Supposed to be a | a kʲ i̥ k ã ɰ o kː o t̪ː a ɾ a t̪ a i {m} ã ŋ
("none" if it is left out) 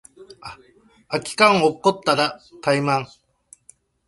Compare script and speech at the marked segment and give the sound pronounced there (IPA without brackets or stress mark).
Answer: m